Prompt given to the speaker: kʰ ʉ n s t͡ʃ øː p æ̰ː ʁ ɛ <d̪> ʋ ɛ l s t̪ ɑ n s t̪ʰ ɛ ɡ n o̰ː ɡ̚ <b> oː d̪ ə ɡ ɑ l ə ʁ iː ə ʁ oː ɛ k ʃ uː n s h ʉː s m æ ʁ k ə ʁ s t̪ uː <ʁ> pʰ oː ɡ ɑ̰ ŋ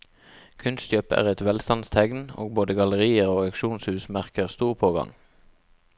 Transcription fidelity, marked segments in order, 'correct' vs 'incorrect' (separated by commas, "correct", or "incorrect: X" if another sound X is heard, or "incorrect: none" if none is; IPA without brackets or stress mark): incorrect: t̪, correct, correct